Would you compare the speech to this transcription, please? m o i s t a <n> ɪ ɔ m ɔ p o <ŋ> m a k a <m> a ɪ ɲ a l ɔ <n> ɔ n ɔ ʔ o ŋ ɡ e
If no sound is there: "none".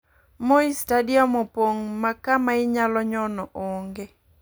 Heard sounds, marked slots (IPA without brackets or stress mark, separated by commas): d, ŋ, m, ɲ